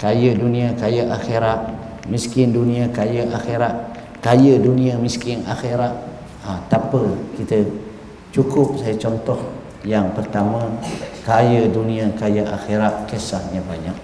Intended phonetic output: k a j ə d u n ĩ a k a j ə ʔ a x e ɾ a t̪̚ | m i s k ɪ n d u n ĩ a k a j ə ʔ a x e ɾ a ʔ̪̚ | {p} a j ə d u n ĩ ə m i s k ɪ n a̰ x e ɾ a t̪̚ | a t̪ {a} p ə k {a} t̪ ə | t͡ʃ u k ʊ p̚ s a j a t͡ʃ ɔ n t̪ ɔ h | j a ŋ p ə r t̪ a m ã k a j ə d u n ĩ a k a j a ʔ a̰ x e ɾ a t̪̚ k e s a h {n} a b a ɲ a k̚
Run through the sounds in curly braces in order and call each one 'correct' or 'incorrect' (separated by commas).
incorrect, correct, incorrect, incorrect